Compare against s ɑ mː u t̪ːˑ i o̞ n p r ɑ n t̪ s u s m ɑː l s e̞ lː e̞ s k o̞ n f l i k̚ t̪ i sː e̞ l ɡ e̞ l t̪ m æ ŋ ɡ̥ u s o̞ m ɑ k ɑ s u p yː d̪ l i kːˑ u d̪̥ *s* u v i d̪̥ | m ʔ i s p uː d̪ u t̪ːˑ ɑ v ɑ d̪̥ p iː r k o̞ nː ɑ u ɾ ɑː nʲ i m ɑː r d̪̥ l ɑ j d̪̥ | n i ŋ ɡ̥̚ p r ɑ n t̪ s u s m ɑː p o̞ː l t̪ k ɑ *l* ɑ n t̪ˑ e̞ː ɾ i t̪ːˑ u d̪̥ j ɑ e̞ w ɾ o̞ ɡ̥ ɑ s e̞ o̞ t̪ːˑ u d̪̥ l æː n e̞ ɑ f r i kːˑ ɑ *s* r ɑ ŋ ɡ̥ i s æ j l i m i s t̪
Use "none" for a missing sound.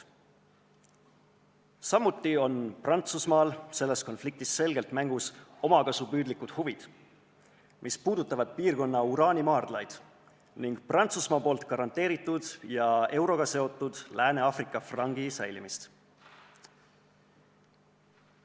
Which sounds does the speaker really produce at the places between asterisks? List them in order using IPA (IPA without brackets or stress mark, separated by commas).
h, ɾ, f